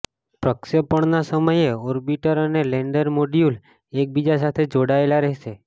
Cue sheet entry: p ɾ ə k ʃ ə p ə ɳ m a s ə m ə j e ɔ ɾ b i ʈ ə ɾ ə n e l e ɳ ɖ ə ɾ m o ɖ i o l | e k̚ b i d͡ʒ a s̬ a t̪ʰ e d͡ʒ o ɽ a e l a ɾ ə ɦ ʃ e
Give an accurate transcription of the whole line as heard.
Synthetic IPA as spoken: p ɾ ə k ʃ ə p ə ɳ n a s ə m ə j e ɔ ɾ b i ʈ ə ɾ ə n e l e ɳ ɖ ə ɾ m o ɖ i u l | e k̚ b i d͡ʒ a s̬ a t̪ʰ e d͡ʒ o ɽ a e l a ɾ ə ɦ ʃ e